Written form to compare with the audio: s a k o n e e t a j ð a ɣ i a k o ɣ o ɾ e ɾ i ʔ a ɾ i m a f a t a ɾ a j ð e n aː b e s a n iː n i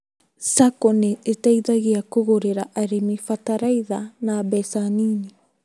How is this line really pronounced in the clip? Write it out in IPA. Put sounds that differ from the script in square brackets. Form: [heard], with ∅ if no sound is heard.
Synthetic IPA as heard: s a k o n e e t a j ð a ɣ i a k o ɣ o ɾ e ɾ [a] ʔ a ɾ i m [i] f a t a ɾ a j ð [a] n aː b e s a n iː n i